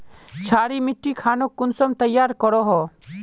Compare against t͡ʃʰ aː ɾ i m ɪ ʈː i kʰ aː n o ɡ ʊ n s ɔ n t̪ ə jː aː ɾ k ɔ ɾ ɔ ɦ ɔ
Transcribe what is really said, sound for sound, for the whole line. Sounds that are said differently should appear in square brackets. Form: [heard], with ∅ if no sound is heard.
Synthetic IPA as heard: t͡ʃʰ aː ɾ i m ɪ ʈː i kʰ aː n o [k] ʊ n s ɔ [m] t̪ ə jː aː ɾ k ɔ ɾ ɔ ɦ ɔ